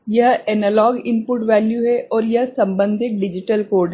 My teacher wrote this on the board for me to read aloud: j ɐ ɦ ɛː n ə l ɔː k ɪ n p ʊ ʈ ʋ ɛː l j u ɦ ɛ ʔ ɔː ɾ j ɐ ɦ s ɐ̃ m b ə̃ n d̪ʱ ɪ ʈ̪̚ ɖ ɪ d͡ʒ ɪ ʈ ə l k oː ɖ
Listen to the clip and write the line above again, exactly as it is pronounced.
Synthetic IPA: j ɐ ɦ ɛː n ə l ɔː ɡ ɪ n p ʊ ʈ ʋ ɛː l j u ɦ ɛ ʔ ɔː ɾ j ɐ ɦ s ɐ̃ m b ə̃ n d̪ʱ ɪ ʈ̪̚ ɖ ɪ d͡ʒ ɪ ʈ ə l k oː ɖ

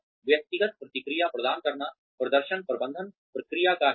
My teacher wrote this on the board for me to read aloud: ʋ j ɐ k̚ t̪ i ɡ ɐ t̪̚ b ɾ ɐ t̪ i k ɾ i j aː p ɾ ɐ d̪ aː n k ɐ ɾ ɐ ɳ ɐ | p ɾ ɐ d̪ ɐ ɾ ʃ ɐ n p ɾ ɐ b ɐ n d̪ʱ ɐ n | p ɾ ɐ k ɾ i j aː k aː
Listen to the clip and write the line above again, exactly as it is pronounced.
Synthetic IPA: ʋ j ɐ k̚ t̪ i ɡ ɐ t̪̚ p ɾ ɐ t̪ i k ɾ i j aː p ɾ ɐ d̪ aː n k ɐ ɾ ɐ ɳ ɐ | p ɾ ɐ d̪ ɐ ɾ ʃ ɐ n p ɾ ɐ b ɐ n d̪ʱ ɐ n | p ɾ ɐ k ɾ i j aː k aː

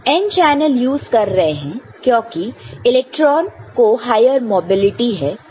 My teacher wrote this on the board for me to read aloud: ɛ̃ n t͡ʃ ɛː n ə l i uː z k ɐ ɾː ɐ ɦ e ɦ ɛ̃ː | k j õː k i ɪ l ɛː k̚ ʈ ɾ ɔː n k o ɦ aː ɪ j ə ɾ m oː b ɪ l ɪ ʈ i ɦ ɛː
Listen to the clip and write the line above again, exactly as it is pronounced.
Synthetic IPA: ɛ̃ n t͡ʃ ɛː n ə l j uː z k ɐ ɾː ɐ ɦ e ɦ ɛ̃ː | k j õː k i ɪ l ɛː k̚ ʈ ɾ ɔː n k o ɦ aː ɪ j ə ɾ m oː b ɪ l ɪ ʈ i ɦ ɛː

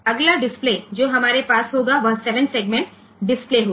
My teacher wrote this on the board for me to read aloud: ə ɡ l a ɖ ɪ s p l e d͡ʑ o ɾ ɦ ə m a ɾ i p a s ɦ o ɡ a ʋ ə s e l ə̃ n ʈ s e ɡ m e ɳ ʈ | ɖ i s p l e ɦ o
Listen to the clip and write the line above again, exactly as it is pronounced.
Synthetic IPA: ə ɡ l a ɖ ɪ s p l e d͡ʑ o ɦ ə m a ɾ e p a s ɦ o ɡ a ʋ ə s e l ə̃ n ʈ s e ɡ m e ɳ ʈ | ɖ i s p l e ɦ o

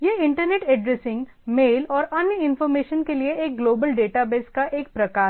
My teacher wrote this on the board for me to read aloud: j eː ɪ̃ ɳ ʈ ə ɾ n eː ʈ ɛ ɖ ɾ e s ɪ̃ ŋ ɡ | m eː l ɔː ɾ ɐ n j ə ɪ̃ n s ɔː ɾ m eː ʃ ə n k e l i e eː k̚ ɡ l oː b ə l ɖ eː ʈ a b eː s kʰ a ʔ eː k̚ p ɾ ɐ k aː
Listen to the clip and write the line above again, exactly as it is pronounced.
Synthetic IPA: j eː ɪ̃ ɳ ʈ ə ɾ n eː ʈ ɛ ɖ ɾ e s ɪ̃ ŋ ɡ | m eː l ɔː ɾ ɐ n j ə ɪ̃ n f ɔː ɾ m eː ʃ ə n k e l i e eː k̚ ɡ l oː b ə l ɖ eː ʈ a b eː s k a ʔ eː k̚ p ɾ ɐ k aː

